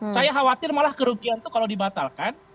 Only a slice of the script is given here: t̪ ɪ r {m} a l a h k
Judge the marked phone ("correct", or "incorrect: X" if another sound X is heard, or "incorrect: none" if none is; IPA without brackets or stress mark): correct